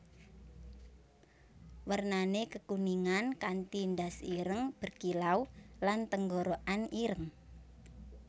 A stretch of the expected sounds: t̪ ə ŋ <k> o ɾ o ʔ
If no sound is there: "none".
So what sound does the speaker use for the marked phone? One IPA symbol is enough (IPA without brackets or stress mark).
ɡ